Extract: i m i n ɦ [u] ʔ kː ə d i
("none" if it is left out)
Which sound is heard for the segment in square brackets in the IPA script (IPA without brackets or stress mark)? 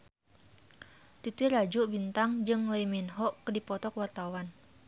ɔ